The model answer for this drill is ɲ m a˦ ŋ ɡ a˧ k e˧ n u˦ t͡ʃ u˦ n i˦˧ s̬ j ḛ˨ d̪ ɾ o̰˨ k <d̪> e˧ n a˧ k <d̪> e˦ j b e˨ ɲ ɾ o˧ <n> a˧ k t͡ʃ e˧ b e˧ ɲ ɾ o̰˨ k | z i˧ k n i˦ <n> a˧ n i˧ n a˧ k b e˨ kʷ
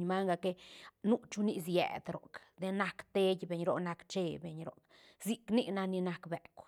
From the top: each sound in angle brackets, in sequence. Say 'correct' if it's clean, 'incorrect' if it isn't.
correct, incorrect, correct, correct

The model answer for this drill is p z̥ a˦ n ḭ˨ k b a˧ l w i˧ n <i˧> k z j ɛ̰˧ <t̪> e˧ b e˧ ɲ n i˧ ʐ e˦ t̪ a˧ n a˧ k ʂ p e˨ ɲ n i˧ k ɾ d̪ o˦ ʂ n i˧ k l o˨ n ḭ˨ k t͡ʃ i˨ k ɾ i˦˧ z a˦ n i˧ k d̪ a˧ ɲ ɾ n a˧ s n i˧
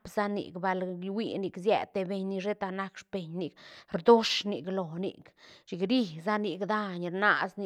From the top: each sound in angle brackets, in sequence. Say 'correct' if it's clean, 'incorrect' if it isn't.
correct, correct

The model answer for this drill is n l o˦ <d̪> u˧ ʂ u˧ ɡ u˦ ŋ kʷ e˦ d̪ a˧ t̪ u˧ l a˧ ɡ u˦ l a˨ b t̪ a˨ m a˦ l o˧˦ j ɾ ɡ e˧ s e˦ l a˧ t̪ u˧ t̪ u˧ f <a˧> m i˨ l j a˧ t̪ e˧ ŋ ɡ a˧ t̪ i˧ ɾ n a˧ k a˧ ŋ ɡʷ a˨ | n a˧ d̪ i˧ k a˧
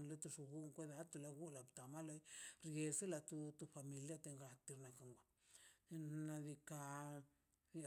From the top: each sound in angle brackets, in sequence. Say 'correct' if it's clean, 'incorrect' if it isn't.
incorrect, correct

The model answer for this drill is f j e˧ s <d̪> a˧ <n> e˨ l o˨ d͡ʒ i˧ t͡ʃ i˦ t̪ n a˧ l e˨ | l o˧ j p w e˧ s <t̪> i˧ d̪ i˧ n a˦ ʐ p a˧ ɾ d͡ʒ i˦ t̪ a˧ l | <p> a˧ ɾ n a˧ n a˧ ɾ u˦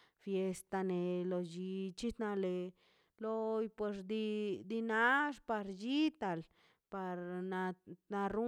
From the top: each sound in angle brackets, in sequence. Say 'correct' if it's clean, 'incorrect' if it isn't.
incorrect, correct, incorrect, correct

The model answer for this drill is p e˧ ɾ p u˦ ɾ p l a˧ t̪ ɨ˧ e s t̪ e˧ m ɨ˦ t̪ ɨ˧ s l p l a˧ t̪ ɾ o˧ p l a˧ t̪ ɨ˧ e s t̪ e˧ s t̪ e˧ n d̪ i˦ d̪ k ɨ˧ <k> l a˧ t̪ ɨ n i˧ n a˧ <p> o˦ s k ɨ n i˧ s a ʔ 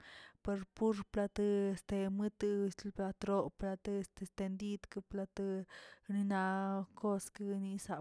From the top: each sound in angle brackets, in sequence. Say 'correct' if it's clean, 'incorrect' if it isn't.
incorrect, incorrect

